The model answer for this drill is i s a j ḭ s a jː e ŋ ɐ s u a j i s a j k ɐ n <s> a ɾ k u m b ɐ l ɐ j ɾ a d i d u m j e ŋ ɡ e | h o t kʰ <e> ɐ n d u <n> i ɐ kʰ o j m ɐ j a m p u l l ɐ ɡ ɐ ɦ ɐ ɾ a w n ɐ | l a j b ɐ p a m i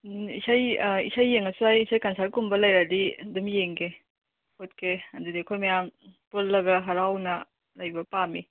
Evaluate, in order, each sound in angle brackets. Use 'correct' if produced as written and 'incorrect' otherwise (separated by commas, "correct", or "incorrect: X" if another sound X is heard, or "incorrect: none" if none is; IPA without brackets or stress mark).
correct, correct, incorrect: d